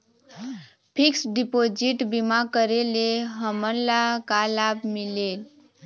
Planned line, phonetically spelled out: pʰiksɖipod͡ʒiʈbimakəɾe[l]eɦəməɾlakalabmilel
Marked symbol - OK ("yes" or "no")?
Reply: yes